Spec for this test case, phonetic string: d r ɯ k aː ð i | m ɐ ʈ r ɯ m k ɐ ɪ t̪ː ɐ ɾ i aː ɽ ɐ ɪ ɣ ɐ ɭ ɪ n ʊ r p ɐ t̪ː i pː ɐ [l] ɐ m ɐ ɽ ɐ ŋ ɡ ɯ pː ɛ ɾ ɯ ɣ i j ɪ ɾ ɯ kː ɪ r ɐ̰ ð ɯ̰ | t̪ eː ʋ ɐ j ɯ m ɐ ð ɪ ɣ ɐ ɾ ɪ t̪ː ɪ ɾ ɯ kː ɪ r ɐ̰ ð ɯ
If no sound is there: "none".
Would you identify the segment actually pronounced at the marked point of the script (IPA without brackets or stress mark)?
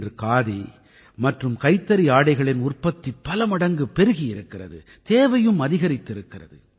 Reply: l